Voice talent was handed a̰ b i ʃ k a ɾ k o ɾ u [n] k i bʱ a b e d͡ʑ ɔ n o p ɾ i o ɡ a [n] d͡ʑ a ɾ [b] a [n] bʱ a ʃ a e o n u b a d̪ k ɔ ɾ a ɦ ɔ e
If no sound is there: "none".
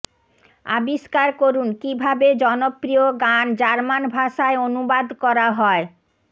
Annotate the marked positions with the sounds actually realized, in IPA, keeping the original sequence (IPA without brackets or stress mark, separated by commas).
n, n, m, n